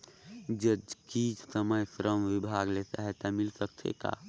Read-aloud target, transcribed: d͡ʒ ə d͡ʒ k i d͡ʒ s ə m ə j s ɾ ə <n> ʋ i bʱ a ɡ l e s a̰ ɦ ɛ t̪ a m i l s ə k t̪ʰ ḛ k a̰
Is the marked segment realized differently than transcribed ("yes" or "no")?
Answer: yes